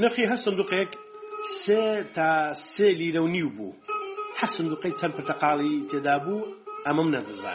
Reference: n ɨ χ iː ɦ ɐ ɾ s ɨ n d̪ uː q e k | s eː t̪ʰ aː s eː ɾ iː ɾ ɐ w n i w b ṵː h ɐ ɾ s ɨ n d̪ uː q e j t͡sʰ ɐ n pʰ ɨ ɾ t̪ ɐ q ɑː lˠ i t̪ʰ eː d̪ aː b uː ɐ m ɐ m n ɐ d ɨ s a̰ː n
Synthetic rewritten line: n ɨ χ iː ɦ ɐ ɾ s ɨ n d̪ uː q e k | s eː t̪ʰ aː s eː l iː ɾ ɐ w n i w b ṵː h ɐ ɾ s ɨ n d̪ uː q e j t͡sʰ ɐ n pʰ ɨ ɾ t̪ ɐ q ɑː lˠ i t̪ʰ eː d̪ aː b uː ɐ m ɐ m n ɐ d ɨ z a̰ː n